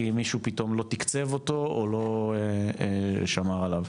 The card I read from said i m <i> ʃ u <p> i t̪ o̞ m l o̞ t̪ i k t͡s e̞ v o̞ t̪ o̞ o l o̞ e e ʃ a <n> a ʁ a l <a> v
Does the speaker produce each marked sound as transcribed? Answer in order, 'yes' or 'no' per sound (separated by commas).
yes, yes, no, yes